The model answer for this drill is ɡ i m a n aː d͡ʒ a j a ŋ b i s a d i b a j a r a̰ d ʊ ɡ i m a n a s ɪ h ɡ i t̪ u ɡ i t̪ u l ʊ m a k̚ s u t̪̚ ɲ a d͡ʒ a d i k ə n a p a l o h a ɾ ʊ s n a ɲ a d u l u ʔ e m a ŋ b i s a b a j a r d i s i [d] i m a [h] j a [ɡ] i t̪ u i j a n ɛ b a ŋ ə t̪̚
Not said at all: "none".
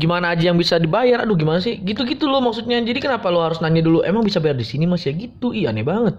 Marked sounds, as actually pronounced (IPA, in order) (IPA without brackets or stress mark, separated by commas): n, s, ɡ